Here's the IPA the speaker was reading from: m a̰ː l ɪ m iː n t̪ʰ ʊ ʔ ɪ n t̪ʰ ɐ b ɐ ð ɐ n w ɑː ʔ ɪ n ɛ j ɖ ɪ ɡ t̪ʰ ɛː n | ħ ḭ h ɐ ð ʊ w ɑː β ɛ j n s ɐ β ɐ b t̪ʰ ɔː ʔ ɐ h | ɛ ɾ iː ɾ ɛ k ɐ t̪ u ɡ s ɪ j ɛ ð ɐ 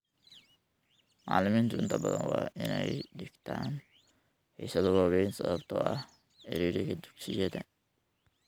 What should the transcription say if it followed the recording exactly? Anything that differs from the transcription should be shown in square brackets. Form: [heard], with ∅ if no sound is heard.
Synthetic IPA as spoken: m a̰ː l ɪ m iː n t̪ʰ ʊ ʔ ɪ n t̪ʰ ɐ b ɐ ð ɐ n w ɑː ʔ ɪ n ɛ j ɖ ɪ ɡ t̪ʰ [aː] n | ħ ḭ [s] ɐ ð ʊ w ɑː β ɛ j n s ɐ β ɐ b t̪ʰ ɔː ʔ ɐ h | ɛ ɾ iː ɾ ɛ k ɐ [d̪] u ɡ s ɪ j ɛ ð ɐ